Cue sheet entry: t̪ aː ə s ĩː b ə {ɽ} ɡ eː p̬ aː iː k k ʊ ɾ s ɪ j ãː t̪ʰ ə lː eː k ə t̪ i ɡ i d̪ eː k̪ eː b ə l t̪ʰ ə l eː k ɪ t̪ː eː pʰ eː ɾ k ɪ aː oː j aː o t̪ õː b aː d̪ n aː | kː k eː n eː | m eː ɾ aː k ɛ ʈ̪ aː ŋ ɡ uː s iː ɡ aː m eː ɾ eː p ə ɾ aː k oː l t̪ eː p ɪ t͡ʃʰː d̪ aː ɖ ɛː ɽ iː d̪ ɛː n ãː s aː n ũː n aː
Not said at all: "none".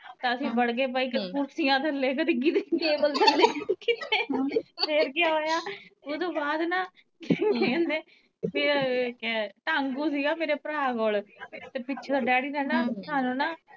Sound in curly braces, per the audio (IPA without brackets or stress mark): ɽ